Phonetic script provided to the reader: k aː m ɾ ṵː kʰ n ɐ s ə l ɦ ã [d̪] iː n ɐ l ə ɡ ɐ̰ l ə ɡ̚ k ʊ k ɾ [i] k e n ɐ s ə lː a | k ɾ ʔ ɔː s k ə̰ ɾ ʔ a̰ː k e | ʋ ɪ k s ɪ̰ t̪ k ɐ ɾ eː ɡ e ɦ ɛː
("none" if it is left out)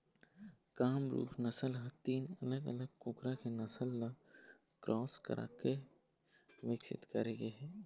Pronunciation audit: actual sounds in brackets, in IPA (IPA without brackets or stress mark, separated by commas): t̪, a